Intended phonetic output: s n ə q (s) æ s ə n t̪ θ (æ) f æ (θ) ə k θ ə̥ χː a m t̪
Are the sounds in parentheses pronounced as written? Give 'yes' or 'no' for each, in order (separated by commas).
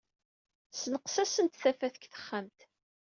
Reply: yes, yes, yes